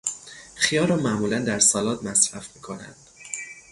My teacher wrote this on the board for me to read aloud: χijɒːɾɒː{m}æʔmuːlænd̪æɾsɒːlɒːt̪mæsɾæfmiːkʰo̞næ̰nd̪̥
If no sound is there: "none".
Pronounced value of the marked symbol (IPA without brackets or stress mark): m